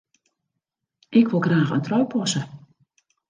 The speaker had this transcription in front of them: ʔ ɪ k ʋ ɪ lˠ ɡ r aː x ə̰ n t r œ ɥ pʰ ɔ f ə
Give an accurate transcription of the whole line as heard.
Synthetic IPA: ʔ ɪ k ʋ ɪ lˠ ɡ r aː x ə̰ n t r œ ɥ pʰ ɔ s ə